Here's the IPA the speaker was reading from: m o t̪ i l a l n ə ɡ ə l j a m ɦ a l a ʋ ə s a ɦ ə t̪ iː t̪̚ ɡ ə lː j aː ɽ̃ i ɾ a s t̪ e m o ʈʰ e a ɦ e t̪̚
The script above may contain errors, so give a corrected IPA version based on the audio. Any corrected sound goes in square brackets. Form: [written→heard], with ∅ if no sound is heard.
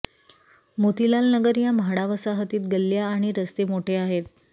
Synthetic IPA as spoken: m o t̪ i l a l n ə ɡ ə [l→ɾ] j a m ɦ a [l→ɽ] a ʋ ə s a ɦ ə t̪ iː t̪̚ ɡ ə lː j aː ɽ̃ i ɾ [a→ə] s t̪ e m o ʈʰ e a ɦ e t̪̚

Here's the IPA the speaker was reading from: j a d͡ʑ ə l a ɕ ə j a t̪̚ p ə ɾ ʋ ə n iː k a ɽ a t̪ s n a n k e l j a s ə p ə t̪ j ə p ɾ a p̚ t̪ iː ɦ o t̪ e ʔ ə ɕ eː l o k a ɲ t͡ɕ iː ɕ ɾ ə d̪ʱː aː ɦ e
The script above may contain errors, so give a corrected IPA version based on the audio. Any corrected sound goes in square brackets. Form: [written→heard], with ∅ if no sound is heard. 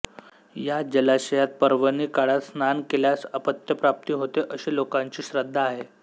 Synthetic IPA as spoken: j a d͡ʑ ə l a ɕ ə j a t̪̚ p ə ɾ ʋ ə n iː k a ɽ a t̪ s n a n k e l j a s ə p ə t̪ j ə p ɾ a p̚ t̪ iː ɦ o t̪ e ʔ ə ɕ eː l o k a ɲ t͡ɕ iː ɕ ɾ ə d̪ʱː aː ɦ e

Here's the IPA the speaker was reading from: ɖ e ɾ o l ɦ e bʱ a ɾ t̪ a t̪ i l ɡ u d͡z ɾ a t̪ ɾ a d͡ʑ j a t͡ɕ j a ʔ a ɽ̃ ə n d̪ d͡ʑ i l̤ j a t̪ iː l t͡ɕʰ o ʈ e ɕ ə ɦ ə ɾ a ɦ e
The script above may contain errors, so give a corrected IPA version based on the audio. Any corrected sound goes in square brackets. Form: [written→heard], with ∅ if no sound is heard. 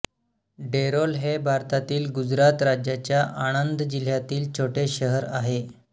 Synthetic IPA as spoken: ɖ e ɾ o l ɦ e bʱ a ɾ t̪ a t̪ [i→iː] l ɡ u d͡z ɾ a t̪ ɾ a d͡ʑ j a t͡ɕ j a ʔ a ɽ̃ ə n d̪ d͡ʑ i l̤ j a t̪ iː l t͡ɕʰ o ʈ e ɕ ə ɦ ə ɾ a ɦ e

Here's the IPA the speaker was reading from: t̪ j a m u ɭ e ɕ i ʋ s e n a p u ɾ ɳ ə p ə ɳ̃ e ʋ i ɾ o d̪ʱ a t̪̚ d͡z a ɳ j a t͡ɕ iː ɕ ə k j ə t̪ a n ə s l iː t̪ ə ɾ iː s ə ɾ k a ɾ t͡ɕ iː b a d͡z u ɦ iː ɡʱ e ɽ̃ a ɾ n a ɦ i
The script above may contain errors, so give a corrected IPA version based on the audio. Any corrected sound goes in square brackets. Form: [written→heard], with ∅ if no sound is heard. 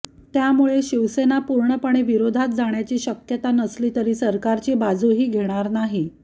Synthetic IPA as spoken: t̪ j a m u ɭ e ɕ i ʋ s e n a p u ɾ ɳ ə p ə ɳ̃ e ʋ i ɾ o d̪ʱ a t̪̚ d͡z a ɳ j a t͡ɕ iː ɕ ə k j ə t̪ a n ə s l iː t̪ ə ɾ iː s ə ɾ k a ɾ t͡ɕ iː b a d͡z u ɦ iː ɡʱ e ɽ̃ a ɾ n a ɦ i

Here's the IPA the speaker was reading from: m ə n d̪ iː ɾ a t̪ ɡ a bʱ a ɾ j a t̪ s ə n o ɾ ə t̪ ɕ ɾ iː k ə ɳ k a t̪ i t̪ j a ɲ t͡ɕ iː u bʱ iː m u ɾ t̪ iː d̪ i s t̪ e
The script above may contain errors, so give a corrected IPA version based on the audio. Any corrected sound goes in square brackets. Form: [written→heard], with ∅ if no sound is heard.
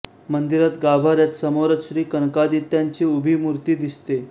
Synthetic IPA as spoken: m ə n d̪ [iː→i] ɾ a t̪ ɡ a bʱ a ɾ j a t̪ s ə [n→m] o ɾ ə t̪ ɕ ɾ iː k ə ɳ k a [t̪→d̪] i t̪ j a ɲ t͡ɕ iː u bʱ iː m u ɾ t̪ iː d̪ i s t̪ e

